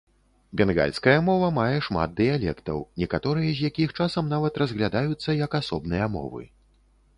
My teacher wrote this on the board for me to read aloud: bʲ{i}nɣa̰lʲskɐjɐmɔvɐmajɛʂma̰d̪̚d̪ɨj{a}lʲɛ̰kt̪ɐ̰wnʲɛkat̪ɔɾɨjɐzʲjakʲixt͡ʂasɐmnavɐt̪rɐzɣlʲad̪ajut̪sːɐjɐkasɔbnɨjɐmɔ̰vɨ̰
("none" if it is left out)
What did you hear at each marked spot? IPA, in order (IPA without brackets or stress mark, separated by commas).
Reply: ɛ, a